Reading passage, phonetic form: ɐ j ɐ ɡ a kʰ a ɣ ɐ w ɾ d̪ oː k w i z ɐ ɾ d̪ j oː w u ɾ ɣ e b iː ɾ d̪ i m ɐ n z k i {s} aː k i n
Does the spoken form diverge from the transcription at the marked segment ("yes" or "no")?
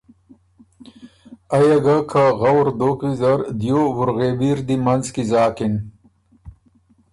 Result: yes